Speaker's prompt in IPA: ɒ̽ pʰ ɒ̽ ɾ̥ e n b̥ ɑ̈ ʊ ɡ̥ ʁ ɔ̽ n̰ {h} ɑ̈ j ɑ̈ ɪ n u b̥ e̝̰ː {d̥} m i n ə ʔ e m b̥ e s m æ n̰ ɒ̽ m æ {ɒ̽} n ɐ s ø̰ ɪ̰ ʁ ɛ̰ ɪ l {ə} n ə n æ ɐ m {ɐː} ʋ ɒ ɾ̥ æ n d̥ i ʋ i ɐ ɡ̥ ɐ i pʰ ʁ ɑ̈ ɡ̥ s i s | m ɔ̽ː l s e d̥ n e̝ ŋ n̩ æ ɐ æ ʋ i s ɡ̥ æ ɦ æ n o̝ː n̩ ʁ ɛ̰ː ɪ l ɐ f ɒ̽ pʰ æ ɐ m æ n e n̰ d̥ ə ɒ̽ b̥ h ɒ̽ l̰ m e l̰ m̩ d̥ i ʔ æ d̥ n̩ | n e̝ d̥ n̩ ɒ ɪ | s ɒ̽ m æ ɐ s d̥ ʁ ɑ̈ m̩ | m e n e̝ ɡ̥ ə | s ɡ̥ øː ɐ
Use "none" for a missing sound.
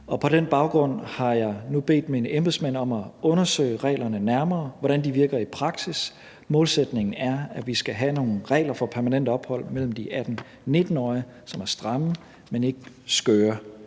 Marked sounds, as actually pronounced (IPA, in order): h, d̥, ɔ̽, ɐ, ɐː

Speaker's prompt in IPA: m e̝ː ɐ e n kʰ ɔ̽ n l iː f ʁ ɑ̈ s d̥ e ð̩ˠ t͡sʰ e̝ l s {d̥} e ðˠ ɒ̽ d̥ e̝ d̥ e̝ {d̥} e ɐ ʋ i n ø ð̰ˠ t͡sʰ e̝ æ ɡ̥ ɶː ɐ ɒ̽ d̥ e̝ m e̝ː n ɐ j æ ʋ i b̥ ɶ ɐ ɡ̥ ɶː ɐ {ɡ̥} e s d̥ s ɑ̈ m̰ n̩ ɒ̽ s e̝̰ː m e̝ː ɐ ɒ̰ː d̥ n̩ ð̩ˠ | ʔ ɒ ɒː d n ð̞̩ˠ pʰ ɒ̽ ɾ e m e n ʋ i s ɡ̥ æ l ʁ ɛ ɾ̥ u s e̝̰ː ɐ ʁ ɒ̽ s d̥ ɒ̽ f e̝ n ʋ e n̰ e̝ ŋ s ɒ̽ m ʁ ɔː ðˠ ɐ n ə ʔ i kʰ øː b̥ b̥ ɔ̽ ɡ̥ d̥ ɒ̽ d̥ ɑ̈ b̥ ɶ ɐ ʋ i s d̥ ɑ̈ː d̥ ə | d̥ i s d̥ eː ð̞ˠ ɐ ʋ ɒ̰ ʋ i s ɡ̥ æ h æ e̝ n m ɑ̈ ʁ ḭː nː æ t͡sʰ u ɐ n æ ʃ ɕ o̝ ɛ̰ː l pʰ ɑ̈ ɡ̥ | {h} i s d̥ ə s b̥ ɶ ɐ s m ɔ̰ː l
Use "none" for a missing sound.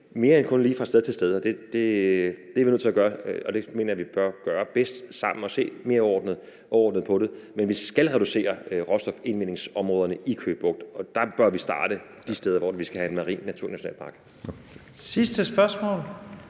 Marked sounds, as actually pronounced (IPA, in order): d̥, d̥, b̥, s

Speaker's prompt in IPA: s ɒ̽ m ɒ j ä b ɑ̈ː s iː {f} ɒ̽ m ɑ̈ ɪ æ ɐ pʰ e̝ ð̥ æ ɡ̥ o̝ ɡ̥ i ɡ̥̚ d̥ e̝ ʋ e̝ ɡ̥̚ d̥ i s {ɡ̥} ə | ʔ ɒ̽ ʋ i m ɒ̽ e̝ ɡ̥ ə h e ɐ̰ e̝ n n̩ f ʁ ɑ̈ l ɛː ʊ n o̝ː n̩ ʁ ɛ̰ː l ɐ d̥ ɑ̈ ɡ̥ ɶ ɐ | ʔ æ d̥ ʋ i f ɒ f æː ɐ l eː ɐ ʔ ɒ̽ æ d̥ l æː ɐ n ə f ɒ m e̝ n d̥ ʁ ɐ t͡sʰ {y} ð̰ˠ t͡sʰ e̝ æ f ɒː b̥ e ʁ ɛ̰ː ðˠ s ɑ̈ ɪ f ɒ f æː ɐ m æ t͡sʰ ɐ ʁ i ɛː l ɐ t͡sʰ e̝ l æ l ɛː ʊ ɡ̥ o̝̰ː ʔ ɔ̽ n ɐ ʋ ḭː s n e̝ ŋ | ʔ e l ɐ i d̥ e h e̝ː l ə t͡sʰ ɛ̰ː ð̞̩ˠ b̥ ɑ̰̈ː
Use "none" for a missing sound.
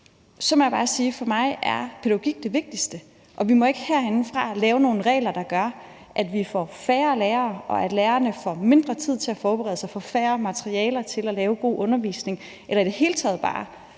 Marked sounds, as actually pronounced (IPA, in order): f, d̥, i

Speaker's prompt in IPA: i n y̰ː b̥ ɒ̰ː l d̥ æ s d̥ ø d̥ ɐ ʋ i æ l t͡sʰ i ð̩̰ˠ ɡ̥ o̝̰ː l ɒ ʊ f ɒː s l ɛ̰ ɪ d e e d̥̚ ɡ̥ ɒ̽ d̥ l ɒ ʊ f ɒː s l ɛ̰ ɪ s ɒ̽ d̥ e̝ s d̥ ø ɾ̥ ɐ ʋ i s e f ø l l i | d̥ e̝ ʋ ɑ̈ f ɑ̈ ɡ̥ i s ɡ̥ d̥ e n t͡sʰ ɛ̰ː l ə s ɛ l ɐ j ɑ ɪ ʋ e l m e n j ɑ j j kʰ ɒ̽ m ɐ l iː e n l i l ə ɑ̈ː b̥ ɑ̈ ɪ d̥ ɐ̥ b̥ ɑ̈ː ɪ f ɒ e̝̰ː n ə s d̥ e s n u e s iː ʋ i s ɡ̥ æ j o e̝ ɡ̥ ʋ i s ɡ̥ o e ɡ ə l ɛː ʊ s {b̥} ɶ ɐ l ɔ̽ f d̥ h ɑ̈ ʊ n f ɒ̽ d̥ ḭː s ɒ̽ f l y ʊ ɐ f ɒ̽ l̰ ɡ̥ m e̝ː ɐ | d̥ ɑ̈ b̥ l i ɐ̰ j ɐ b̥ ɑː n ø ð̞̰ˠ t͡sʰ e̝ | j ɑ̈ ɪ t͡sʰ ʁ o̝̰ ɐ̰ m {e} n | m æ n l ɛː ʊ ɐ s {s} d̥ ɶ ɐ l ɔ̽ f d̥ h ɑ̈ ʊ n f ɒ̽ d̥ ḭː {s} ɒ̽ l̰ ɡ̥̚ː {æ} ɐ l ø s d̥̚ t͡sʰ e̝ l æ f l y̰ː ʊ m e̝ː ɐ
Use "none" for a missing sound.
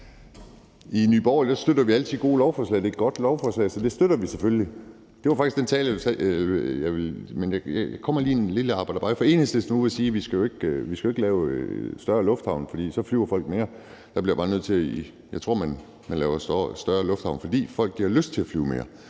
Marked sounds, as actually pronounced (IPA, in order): d̥, æ, s, f, i

